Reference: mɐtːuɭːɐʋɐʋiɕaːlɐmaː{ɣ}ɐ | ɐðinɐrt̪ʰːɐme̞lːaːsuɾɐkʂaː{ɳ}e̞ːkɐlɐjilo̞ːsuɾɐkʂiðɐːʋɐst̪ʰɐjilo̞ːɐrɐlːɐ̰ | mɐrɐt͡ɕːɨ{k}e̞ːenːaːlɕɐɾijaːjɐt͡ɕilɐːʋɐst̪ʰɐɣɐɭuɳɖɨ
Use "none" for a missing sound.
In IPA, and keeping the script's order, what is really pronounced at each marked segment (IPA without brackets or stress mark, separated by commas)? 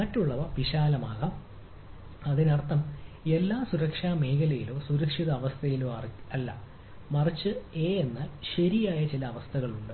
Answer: ɣ, m, none